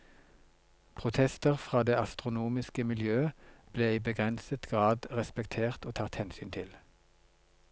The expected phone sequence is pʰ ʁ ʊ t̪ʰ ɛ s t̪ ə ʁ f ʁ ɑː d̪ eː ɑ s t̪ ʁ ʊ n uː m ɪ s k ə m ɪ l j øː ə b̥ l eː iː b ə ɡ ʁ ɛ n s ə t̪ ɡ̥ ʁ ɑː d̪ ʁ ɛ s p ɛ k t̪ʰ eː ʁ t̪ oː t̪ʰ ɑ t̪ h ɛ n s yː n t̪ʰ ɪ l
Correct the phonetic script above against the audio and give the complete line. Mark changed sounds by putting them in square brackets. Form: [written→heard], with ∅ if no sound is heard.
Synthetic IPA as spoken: pʰ ʁ ʊ t̪ʰ ɛ s t̪ ə ʁ f ʁ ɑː d̪ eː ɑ s t̪ ʁ ʊ n uː m ɪ s k ə m ɪ l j øː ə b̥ l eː iː b ə ɡ ʁ ɛ n s ə t̪ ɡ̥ ʁ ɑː d̪ ʁ ɛ s p ɛ k t̪ʰ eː ʁ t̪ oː t̪ʰ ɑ t̪ h ɛ n s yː n t̪ʰ ɪ l

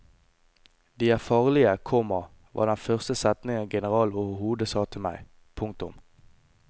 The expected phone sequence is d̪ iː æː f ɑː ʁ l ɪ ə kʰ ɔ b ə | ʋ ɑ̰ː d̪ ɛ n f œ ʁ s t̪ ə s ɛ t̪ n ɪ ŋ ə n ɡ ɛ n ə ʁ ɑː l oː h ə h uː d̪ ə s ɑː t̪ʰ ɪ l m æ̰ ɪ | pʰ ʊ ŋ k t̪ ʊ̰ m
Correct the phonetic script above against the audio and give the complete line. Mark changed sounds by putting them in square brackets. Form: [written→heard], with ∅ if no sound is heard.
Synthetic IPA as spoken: d̪ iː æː f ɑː ʁ l ɪ ə kʰ ɔ [b→m] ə | ʋ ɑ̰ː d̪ ɛ n f œ ʁ s t̪ ə s ɛ t̪ n ɪ ŋ ə n ɡ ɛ n ə ʁ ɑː l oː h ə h uː d̪ ə s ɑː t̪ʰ ɪ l m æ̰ ɪ | pʰ ʊ ŋ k t̪ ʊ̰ m

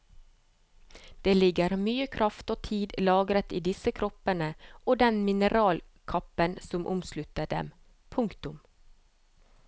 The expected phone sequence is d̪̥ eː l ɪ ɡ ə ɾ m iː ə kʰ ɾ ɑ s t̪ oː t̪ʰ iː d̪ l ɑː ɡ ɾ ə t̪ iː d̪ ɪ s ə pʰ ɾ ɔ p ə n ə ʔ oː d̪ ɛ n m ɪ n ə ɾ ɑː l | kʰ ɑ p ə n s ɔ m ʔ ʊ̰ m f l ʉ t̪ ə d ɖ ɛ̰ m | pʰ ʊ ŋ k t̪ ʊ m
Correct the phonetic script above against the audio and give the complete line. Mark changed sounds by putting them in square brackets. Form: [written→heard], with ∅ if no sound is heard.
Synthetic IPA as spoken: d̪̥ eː l ɪ ɡ ə ɾ m [iː→yː] ə kʰ ɾ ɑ [s→f] t̪ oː t̪ʰ iː d̪ l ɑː ɡ ɾ ə t̪ iː d̪ ɪ s ə [pʰ→kʰ] ɾ ɔ p ə n ə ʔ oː d̪ ɛ n m ɪ n ə ɾ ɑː l | kʰ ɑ p ə n s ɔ m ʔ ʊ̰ m [f→s] l ʉ t̪ ə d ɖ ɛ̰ m | pʰ ʊ ŋ k t̪ ʊ m

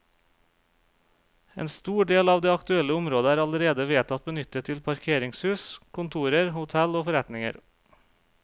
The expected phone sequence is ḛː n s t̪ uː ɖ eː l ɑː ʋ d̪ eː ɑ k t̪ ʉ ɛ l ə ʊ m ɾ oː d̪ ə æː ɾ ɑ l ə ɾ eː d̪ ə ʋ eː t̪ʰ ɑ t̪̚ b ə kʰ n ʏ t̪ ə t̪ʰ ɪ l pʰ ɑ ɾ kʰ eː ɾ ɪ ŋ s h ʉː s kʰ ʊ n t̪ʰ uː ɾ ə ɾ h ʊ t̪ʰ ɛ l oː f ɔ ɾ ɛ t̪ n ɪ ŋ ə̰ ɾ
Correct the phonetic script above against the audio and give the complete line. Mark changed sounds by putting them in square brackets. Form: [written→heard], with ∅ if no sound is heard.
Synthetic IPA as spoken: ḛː n s t̪ uː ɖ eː l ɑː ʋ d̪ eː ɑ k t̪ ʉ ɛ l ə ʊ m ɾ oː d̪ ə æː ɾ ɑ l ə ɾ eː d̪ ə ʋ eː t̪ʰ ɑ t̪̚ b ə [kʰ→∅] n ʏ t̪ ə t̪ʰ ɪ l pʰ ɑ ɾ kʰ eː ɾ ɪ ŋ s h ʉː s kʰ ʊ n t̪ʰ uː ɾ ə ɾ h ʊ t̪ʰ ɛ l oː f ɔ ɾ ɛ t̪ n ɪ ŋ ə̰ ɾ

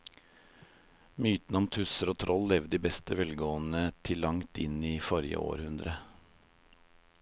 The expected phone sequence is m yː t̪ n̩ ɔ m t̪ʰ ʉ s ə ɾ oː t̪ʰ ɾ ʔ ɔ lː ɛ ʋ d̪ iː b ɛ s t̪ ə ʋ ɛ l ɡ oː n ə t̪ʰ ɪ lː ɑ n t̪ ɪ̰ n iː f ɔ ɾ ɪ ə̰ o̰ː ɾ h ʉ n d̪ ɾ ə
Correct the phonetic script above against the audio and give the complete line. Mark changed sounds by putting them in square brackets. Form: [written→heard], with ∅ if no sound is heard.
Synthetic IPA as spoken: m yː t̪ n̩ ɔ m t̪ʰ ʉ s ə ɾ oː t̪ʰ ɾ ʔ ɔ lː ɛ ʋ d̪ iː b ɛ s t̪ ə ʋ ɛ l ɡ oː n ə t̪ʰ ɪ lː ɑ [n→ŋ] t̪ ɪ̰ n iː f ɔ ɾ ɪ ə̰ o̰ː ɾ h ʉ n d̪ ɾ ə

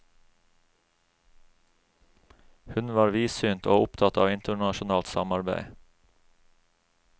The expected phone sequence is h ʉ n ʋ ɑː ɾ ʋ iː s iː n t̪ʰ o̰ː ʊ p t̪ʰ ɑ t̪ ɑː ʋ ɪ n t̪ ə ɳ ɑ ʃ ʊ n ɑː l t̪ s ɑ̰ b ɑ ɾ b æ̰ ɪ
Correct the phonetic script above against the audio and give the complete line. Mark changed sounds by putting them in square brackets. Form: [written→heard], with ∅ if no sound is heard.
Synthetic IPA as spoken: h ʉ n ʋ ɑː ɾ ʋ iː s [iː→yː] n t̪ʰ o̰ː ʊ p t̪ʰ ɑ t̪ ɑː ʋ ɪ n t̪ ə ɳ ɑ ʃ ʊ n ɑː l t̪ s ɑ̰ [b→m] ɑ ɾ b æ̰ ɪ

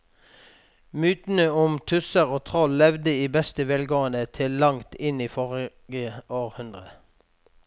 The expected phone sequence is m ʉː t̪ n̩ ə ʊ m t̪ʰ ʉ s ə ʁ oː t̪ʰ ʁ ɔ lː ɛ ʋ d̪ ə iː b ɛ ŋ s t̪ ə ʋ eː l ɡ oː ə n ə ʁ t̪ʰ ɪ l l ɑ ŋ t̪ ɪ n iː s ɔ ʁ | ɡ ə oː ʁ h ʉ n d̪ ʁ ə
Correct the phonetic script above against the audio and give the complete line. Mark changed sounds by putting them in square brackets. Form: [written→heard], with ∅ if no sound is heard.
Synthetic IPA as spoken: m ʉː t̪ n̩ ə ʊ m t̪ʰ ʉ s ə ʁ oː t̪ʰ ʁ ɔ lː ɛ ʋ d̪ ə iː b ɛ [ŋ→∅] s t̪ ə ʋ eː l ɡ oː ə n ə [ʁ→∅] t̪ʰ ɪ l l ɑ ŋ t̪ ɪ n iː [s→f] ɔ ʁ | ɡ ə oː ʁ h ʉ n d̪ ʁ ə

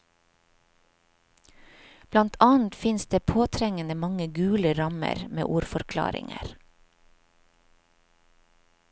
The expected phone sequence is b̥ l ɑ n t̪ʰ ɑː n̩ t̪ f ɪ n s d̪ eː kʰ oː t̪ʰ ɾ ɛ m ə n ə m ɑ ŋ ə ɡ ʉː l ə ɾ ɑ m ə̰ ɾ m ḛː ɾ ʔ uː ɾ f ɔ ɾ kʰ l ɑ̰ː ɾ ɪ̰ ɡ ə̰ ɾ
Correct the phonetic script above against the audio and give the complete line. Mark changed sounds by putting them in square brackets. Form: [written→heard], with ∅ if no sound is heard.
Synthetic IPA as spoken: b̥ l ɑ n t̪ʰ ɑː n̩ t̪ f ɪ n s d̪ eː [kʰ→pʰ] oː t̪ʰ ɾ ɛ [m→ŋ] ə n ə m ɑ ŋ ə ɡ ʉː l ə ɾ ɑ m ə̰ ɾ m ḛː [ɾ→∅] ʔ uː ɾ f ɔ ɾ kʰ l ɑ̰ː ɾ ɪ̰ [ɡ→ŋ] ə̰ ɾ

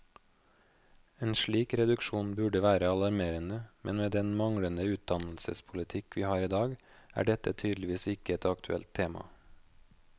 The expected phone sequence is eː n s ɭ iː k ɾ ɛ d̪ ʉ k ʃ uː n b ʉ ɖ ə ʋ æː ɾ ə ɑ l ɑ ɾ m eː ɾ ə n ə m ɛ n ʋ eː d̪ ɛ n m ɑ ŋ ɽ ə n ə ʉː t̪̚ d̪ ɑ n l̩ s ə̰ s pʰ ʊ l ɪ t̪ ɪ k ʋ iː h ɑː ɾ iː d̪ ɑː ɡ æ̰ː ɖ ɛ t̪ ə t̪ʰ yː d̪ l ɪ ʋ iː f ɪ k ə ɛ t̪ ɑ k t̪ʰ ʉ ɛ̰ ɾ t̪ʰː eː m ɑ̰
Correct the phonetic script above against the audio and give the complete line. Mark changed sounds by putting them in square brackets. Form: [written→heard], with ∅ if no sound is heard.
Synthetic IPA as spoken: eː n [s→ʃ] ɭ iː k ɾ ɛ d̪ ʉ k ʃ uː n b ʉ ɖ ə ʋ æː ɾ ə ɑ l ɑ ɾ m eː ɾ ə n ə m ɛ n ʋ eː d̪ ɛ n m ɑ ŋ ɽ ə n ə ʉː t̪̚ d̪ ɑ n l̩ s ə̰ s pʰ ʊ l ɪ [t̪→t̪ʰ] ɪ k ʋ iː h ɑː ɾ iː d̪ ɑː ɡ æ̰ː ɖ ɛ t̪ ə t̪ʰ yː d̪ l ɪ ʋ iː [f→s] ɪ k ə ɛ t̪ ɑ k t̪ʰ ʉ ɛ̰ [ɾ→l] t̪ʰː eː m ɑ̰

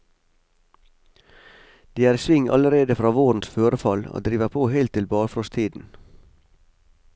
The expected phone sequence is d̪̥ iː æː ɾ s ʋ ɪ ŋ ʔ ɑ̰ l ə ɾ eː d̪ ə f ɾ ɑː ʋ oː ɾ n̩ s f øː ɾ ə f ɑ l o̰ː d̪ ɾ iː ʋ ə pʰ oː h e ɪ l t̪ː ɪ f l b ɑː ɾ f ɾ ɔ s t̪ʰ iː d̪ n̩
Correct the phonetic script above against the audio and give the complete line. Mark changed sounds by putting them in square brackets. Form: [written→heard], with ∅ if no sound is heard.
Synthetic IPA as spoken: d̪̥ iː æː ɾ s ʋ ɪ ŋ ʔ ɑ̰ l ə ɾ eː d̪ ə f ɾ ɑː ʋ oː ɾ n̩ s f øː ɾ ə f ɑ l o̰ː d̪ ɾ iː ʋ ə pʰ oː h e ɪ l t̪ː ɪ [f→∅] l b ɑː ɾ f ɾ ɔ s t̪ʰ iː d̪ n̩

